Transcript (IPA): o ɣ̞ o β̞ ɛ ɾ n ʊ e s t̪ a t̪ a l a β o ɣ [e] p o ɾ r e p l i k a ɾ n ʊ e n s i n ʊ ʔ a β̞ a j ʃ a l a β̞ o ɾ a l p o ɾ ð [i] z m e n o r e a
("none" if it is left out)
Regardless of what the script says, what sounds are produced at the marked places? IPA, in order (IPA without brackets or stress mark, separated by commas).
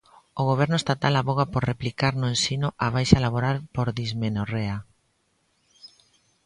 a, i